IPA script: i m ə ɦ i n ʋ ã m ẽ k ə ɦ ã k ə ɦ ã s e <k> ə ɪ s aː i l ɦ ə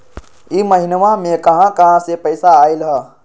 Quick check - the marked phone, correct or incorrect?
incorrect